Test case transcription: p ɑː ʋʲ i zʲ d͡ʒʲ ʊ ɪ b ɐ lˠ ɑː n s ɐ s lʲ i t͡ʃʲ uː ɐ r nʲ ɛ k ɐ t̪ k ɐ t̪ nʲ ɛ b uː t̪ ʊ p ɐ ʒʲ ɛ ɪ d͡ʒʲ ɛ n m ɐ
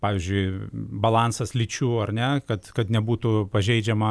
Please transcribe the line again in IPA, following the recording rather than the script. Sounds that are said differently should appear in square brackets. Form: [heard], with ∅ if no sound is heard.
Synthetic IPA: p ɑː ʋʲ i zʲ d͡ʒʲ ʊ ɪ b ɐ lˠ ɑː n s ɐ s lʲ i t͡ʃʲ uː ɐ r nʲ ɛ k ɐ t̪ k ɐ t̪ nʲ ɛ b uː t̪ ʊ p ɐ ʒʲ ɛ ɪ d͡ʒʲ ɛ [∅] m ɐ